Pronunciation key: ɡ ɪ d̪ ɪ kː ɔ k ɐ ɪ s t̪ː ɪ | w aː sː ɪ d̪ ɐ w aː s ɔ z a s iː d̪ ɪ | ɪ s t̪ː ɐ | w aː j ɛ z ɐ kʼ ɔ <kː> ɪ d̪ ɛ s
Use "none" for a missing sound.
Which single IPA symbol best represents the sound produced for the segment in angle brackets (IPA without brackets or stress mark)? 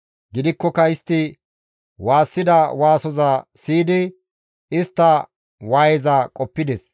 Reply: pː